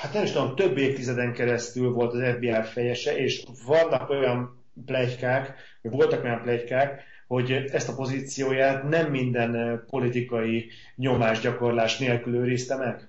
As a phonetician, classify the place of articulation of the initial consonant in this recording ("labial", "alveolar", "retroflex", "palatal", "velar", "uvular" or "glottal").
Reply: glottal